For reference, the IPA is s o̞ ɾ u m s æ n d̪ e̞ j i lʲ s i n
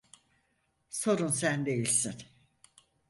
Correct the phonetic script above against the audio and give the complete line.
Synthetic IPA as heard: s o̞ ɾ u n s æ n d̪ e̞ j i lʲ s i n